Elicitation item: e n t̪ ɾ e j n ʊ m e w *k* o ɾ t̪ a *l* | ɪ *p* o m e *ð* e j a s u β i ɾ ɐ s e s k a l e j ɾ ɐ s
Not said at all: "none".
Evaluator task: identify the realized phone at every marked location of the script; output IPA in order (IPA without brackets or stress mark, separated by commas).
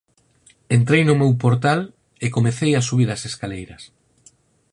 p, l, k, θ